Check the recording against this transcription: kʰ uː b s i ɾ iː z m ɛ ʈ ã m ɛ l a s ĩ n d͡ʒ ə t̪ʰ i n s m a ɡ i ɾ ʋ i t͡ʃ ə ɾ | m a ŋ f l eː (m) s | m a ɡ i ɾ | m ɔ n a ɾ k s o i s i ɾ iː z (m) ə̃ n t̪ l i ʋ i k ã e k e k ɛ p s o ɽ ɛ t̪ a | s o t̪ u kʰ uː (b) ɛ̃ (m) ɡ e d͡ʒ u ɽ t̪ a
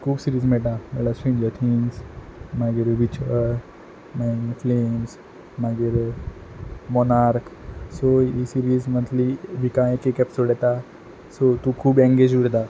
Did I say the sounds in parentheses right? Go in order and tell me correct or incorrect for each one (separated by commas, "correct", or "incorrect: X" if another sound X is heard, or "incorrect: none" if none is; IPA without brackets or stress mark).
correct, correct, correct, incorrect: ŋ